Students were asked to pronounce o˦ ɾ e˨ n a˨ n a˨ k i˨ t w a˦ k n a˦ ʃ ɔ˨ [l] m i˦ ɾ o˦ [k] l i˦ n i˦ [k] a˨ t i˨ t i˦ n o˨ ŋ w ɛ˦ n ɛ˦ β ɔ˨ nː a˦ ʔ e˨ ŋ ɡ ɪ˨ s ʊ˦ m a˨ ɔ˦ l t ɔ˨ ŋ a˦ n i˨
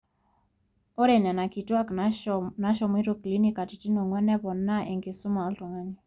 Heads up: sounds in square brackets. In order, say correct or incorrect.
incorrect, correct, correct

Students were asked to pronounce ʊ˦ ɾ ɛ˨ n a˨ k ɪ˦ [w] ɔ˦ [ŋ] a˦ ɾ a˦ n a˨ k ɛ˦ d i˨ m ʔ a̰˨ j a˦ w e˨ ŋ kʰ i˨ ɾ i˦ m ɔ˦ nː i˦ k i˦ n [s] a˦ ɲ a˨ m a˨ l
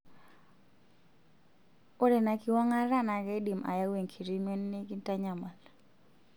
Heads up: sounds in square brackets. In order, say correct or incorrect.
correct, correct, incorrect

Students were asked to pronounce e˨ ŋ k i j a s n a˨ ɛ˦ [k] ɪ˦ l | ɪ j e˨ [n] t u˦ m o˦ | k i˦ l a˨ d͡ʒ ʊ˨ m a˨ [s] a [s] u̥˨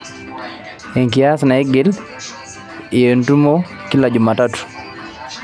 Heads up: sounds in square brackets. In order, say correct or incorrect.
incorrect, correct, incorrect, incorrect

